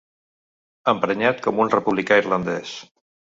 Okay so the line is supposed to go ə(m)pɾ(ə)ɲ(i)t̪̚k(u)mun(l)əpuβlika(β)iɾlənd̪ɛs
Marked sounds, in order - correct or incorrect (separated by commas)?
correct, correct, incorrect, incorrect, incorrect, incorrect